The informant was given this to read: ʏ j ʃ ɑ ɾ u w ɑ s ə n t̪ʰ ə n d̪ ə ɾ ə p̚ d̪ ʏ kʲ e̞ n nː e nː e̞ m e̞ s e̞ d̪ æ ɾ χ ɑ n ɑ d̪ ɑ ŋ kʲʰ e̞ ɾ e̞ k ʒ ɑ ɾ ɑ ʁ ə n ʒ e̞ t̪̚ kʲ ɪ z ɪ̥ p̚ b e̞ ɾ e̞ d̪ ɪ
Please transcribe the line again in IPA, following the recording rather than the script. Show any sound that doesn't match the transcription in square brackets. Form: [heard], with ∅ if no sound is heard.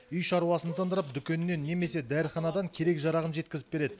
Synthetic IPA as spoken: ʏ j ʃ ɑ ɾ u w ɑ s ə n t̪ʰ ə n d̪ ə ɾ ə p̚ d̪ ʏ kʲ e̞ n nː e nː e̞ m e̞ s e̞ d̪ æ ɾ χ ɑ n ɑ d̪ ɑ ŋ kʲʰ e̞ ɾ e̞ k ʒ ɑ ɾ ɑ ʁ ə n ʒ e̞ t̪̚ kʲ ɪ z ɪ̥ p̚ b e̞ ɾ e̞ d̪ ɪ